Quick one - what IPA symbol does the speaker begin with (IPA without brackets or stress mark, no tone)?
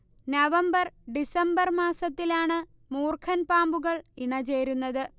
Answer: n